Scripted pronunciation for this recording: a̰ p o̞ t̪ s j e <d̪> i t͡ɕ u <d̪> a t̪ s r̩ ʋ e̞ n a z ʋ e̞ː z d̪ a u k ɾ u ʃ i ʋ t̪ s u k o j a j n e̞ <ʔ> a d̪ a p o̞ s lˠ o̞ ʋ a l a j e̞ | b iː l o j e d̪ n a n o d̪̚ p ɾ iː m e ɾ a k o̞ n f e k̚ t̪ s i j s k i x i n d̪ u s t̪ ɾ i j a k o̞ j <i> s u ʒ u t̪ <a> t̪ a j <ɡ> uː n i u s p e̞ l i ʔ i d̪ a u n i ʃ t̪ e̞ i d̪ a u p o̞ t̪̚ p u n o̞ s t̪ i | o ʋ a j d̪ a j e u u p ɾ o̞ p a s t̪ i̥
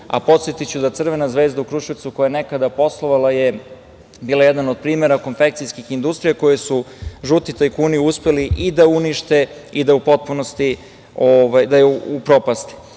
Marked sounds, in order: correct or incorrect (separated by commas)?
incorrect, correct, incorrect, incorrect, incorrect, incorrect